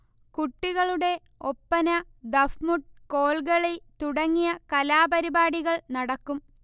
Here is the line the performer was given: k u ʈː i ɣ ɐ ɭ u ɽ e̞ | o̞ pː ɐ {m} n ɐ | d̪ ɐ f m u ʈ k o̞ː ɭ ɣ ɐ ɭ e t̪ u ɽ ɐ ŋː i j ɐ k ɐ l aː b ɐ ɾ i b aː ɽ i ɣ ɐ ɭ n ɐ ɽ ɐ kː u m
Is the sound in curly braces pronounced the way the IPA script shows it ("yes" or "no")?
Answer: no